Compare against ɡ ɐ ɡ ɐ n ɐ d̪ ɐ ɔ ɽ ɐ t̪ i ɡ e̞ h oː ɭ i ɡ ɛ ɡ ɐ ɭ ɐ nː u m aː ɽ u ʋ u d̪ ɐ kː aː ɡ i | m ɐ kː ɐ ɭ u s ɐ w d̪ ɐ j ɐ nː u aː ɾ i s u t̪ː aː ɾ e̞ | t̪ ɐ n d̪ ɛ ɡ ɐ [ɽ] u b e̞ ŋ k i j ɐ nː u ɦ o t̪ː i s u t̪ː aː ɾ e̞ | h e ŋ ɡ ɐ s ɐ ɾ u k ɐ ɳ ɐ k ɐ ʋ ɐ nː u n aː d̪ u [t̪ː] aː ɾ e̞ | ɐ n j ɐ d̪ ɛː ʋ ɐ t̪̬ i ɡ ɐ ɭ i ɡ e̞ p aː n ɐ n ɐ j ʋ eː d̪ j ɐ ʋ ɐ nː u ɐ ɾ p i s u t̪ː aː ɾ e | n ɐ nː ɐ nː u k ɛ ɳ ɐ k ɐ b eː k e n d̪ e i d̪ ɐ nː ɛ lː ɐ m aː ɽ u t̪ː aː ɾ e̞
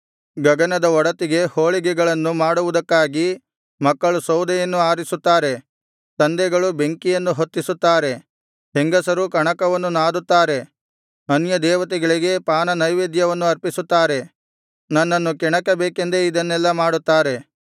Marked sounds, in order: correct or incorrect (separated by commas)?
incorrect, correct